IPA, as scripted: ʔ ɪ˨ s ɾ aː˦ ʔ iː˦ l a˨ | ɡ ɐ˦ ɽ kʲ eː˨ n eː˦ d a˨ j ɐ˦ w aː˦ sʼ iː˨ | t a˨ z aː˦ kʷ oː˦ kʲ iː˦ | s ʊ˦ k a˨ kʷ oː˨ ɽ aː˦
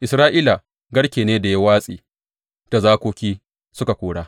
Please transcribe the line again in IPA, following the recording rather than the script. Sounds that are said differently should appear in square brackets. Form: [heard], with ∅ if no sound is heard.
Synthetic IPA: ʔ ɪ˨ s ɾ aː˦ ʔ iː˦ l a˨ | ɡ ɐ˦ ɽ kʲ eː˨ n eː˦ d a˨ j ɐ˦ w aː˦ sʼ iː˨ | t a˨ z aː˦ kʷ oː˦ kʲ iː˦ | s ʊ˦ k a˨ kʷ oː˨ ɽ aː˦